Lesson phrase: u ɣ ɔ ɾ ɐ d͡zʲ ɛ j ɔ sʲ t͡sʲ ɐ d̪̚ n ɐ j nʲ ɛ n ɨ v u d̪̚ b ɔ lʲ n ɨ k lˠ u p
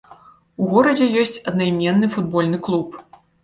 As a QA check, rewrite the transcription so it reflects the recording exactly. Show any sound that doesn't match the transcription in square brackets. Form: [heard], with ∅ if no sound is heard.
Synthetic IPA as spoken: u ɣ ɔ ɾ ɐ d͡zʲ ɛ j ɔ sʲ t͡sʲ ɐ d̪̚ n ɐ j [mʲ] ɛ [nː] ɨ [f] u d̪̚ b ɔ lʲ n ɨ k lˠ u p